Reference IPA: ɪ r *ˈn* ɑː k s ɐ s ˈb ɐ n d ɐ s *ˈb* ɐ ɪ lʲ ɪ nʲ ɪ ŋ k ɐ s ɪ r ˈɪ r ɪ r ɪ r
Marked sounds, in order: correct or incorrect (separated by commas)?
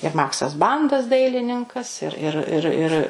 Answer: incorrect, incorrect